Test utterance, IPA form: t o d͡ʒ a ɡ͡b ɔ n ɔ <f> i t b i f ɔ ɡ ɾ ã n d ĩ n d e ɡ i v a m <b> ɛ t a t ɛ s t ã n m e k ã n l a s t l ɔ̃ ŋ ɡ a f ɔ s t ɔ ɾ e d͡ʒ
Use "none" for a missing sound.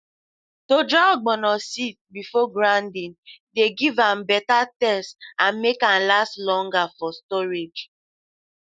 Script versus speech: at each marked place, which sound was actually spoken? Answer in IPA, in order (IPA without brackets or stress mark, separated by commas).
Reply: s, b